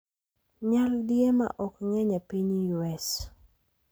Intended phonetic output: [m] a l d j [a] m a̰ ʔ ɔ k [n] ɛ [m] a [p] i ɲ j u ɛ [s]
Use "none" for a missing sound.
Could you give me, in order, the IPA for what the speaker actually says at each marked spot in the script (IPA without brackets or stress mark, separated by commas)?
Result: ɲ, e, ŋ, ɲ, p, s